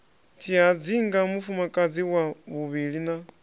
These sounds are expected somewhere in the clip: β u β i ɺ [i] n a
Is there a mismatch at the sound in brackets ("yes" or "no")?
no